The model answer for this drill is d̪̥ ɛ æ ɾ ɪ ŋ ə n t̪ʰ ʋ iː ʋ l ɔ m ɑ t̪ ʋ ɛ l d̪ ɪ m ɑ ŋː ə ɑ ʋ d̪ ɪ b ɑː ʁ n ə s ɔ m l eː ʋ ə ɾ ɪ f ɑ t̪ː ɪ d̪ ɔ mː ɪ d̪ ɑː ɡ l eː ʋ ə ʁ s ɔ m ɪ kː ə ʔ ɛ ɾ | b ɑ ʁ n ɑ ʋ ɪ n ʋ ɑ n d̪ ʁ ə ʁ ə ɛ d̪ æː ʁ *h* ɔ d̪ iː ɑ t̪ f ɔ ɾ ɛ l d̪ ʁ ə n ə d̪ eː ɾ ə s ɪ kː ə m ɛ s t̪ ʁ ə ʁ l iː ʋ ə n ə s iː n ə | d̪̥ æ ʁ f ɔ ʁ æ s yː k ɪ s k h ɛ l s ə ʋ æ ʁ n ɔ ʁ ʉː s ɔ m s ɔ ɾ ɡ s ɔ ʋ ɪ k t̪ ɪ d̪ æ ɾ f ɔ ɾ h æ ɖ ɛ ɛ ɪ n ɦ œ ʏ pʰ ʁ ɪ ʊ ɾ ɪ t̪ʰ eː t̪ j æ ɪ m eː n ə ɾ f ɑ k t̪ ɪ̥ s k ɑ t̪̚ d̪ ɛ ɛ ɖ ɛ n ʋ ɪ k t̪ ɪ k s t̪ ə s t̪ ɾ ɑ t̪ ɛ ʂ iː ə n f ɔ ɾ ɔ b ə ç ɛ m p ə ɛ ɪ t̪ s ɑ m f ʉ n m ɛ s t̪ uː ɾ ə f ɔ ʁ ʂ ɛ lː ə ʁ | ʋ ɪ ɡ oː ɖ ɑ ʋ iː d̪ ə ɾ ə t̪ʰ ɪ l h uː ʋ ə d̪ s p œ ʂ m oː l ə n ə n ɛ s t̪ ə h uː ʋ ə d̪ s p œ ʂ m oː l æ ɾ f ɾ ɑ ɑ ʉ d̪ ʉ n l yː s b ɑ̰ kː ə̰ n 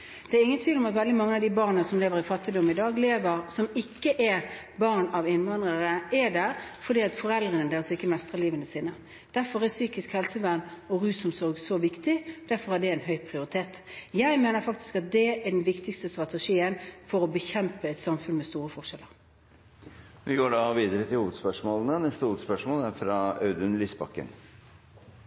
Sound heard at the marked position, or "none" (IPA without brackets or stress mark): f